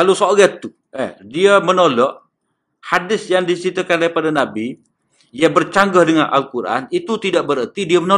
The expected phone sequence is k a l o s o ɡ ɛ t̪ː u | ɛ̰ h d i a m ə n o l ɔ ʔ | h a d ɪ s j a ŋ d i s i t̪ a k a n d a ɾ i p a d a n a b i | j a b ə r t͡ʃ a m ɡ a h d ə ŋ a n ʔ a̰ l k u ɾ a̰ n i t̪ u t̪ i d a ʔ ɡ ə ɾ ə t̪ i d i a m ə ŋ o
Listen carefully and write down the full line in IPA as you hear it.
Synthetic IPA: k a l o s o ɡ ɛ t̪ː u | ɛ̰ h d i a m ə n o l ɔ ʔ | h a d ɪ s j a ŋ d i s i t̪ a k a n d a ɾ i p a d a n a b i | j a b ə r t͡ʃ a ŋ ɡ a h d ə ŋ a n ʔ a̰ l k u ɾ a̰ n i t̪ u t̪ i d a ʔ b ə ɾ ə t̪ i d i a m ə n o